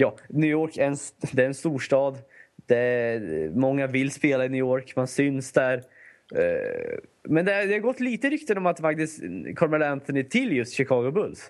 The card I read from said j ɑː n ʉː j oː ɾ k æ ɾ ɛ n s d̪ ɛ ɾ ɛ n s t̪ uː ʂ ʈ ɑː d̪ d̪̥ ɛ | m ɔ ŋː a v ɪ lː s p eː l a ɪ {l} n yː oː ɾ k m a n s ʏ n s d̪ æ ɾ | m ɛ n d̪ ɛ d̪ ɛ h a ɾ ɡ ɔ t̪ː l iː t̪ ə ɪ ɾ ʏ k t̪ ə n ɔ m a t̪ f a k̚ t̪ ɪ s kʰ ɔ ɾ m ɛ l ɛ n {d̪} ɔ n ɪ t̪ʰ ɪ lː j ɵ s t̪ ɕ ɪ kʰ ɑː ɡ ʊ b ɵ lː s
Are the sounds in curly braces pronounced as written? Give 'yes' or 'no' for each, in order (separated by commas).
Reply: no, no